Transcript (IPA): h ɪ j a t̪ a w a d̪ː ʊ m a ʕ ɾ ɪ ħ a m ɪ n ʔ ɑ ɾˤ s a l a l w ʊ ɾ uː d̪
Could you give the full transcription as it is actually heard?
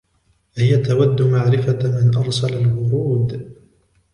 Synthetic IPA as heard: h ɪ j a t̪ a w a d̪ː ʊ m a ʕ ɾ ɪ f a m ɪ n ʔ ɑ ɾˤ s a l a l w ʊ ɾ uː d̪